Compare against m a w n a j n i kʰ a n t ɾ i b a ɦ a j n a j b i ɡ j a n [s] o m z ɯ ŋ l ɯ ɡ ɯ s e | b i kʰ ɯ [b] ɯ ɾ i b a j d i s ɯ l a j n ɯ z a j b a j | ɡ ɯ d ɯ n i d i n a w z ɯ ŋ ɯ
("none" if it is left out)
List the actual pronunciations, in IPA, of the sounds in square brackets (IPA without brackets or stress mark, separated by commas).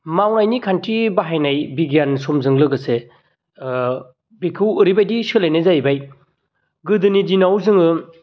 s, w